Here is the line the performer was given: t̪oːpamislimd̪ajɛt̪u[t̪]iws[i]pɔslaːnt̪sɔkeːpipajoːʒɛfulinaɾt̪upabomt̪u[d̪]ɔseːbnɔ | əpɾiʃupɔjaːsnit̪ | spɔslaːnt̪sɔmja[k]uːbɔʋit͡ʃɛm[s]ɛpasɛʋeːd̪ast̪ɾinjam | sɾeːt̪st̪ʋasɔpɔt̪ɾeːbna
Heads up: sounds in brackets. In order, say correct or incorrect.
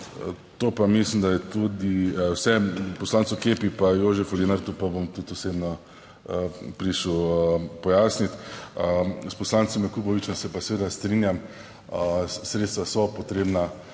incorrect: d̪, incorrect: ɛ, incorrect: t̪, correct, correct

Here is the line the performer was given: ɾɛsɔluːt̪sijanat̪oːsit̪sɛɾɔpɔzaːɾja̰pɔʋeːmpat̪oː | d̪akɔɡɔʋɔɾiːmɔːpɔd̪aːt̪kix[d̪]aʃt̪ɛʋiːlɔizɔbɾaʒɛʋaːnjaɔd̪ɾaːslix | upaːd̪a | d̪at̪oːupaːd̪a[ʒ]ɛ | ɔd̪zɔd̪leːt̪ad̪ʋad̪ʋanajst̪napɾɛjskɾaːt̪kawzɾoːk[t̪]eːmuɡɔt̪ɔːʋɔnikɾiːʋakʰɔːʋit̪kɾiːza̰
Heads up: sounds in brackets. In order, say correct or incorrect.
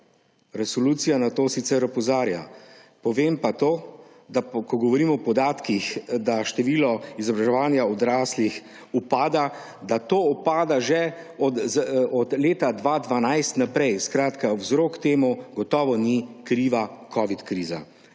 correct, correct, correct

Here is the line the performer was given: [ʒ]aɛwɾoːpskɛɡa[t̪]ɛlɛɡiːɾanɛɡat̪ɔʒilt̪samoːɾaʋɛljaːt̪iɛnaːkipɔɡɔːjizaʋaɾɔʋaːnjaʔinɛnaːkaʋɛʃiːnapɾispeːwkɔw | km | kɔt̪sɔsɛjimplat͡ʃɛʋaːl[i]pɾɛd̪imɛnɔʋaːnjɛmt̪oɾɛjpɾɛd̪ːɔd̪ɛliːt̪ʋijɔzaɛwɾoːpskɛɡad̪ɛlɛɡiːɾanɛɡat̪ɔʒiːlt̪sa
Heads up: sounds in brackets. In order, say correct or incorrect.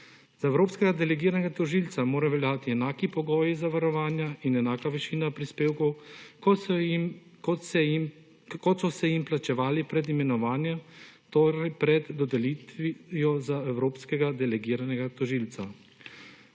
incorrect: z, incorrect: d̪, correct

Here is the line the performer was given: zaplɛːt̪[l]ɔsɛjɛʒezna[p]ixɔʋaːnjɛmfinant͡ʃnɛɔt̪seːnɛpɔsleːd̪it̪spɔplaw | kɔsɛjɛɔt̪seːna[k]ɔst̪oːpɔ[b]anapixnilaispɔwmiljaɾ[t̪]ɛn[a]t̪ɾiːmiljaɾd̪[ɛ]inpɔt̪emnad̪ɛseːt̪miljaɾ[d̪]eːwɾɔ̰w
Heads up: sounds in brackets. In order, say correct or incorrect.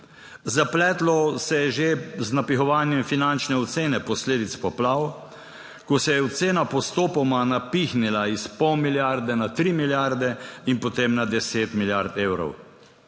correct, correct, incorrect: p, incorrect: m, incorrect: d̪, correct, correct, incorrect: t̪

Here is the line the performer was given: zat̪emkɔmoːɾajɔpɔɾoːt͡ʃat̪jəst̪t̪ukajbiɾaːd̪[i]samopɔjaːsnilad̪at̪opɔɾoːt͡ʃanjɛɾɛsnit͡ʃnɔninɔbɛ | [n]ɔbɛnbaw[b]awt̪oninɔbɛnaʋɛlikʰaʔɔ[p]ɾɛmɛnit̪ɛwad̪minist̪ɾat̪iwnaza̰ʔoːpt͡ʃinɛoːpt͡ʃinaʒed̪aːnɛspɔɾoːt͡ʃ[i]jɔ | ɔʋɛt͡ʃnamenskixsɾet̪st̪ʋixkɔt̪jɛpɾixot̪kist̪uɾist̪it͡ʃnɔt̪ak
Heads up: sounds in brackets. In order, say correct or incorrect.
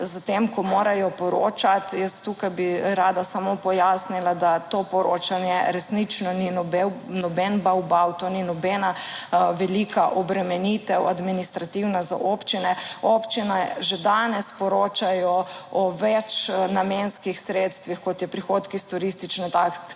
incorrect: a, correct, correct, incorrect: b, incorrect: a

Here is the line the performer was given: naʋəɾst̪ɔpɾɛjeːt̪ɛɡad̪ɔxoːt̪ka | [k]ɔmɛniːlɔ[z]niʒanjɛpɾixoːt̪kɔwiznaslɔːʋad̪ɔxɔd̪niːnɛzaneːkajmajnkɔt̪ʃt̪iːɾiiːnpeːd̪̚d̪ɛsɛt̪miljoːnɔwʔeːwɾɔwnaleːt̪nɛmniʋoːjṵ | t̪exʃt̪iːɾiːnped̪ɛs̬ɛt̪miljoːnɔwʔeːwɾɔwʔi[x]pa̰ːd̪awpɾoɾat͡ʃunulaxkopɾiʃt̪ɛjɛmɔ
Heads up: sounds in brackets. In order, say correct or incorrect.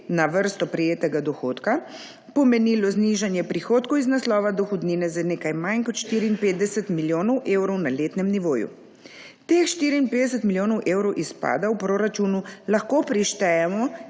incorrect: p, correct, incorrect: s

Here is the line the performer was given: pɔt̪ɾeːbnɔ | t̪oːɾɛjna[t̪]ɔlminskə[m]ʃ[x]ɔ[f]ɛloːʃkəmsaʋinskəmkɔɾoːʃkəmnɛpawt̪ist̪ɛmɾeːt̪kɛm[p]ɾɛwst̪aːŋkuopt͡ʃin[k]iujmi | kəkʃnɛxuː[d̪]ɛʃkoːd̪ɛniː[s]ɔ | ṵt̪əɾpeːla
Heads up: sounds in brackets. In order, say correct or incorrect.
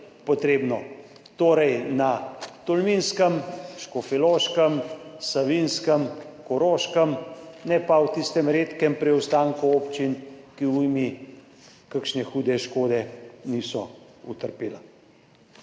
correct, correct, incorrect: k, correct, correct, correct, correct, correct

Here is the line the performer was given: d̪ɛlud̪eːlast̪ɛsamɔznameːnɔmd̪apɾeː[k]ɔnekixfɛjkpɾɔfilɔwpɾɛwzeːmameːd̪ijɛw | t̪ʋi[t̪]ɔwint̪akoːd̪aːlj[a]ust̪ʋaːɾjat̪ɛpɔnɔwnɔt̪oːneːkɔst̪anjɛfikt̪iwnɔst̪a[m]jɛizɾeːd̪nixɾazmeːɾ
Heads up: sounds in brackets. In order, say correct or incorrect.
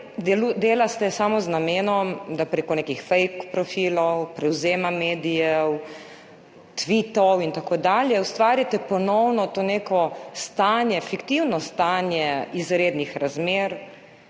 correct, correct, incorrect: ɛ, incorrect: n

